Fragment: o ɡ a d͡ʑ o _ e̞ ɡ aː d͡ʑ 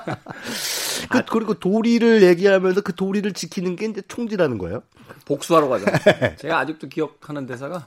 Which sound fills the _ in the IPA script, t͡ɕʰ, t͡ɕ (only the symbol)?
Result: t͡ɕ